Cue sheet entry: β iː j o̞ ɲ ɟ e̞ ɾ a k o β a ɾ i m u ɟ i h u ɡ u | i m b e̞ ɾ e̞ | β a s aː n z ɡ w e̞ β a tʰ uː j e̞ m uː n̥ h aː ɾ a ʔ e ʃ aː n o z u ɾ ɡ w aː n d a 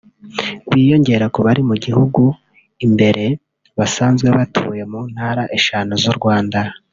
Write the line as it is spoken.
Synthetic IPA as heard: β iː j o̞ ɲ ɟ e̞ ɾ a k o β a ɾ i m u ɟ i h u ɡ u | i m b e̞ ɾ e̞ | β a s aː n z ɡ w e̞ β a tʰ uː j e̞ m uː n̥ h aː ɾ a ʔ e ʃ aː n o z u ɾ ɡ w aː n d a